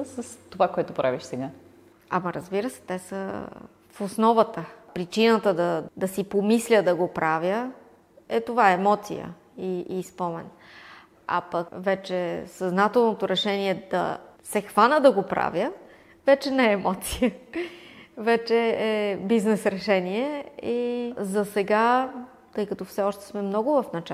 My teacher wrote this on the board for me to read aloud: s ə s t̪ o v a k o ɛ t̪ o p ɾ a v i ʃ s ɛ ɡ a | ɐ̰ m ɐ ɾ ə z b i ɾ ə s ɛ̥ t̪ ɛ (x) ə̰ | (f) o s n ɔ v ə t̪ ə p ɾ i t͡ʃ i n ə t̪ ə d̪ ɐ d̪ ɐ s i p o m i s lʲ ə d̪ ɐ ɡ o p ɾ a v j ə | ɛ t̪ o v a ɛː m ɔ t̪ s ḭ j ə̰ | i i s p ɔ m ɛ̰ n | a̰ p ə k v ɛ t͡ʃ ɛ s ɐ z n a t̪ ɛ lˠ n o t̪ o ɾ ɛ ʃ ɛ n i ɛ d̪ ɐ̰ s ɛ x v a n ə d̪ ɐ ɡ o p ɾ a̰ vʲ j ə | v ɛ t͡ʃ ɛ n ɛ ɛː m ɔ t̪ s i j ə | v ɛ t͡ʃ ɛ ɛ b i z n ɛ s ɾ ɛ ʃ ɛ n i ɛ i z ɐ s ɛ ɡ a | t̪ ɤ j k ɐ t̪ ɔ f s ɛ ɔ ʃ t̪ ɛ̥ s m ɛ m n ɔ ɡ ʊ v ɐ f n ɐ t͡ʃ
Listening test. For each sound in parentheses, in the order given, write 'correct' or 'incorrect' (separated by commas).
incorrect, correct